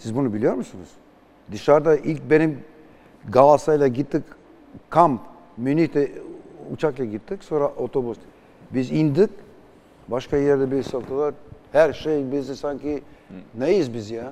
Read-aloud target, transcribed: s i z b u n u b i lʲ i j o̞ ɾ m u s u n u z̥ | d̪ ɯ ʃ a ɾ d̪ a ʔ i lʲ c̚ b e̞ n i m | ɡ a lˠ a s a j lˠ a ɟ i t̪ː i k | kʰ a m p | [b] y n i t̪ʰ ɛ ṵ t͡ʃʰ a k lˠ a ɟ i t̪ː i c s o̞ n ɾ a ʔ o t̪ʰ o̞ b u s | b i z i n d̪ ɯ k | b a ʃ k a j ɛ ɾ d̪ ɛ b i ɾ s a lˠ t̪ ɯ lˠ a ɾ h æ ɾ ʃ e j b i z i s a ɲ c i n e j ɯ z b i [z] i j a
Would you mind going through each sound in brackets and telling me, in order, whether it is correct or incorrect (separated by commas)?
incorrect, correct